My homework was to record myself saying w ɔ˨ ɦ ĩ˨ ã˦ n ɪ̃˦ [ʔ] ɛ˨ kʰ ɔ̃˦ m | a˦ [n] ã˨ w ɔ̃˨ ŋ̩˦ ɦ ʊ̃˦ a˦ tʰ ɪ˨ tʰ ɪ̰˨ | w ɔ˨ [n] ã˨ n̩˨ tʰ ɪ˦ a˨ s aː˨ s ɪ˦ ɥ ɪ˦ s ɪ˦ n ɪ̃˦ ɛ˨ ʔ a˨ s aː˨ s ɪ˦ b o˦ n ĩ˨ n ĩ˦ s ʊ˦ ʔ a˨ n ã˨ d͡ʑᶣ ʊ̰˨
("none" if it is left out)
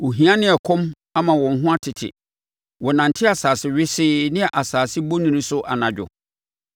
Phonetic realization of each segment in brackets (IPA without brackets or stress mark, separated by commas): none, m, n